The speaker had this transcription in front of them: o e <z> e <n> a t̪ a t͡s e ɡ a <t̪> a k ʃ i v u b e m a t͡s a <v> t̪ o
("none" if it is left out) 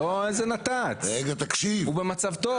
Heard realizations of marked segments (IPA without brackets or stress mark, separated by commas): z, n, t̪, v